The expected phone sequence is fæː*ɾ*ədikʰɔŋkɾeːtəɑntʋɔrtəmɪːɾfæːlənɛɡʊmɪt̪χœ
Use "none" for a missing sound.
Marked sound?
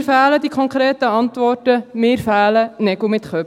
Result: l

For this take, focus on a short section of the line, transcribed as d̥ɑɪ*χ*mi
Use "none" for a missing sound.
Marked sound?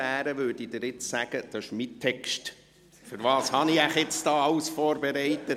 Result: ʃ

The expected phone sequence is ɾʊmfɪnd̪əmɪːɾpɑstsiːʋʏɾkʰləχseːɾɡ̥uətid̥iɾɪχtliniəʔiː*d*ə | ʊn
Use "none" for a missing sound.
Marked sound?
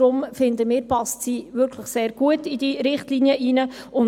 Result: n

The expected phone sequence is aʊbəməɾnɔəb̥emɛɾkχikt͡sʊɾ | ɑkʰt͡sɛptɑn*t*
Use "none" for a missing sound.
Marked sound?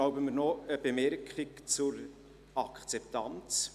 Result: t͡s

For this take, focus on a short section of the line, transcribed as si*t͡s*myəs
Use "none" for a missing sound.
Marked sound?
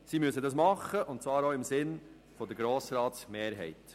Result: none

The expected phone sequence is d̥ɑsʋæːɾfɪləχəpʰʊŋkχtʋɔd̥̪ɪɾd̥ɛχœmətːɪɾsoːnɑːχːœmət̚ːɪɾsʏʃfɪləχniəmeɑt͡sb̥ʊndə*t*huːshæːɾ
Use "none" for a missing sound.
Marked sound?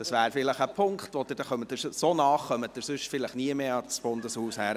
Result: s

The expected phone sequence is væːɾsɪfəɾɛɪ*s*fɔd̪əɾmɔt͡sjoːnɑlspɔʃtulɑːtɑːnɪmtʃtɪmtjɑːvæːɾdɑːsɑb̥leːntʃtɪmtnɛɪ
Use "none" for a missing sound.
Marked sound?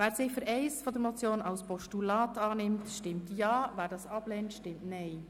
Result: s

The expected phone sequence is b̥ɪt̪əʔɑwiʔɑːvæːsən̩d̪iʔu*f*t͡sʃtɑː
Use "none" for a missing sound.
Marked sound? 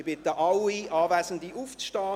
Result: f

